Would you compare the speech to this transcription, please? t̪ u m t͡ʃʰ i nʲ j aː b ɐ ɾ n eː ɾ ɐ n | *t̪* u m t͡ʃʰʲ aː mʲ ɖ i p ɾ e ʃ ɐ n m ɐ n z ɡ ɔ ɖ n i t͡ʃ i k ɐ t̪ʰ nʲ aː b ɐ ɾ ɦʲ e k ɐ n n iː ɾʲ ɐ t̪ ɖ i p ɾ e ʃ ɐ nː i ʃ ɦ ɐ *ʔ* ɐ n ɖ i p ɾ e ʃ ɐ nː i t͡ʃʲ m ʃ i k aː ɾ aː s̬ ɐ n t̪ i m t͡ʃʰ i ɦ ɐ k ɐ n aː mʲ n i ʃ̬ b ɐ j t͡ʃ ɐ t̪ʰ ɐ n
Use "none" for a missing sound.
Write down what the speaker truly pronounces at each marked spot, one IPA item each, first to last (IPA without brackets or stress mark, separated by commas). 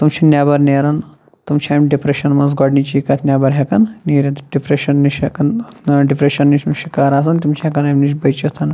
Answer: t̪, k